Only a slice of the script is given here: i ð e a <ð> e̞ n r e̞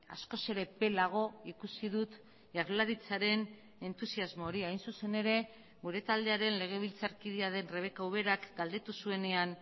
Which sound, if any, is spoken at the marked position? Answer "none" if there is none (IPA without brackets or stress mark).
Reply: ð